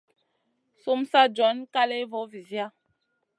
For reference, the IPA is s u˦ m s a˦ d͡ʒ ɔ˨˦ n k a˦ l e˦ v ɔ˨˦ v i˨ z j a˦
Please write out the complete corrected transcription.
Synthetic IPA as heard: s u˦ m s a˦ d͡ʒ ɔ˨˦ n k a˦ l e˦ v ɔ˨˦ v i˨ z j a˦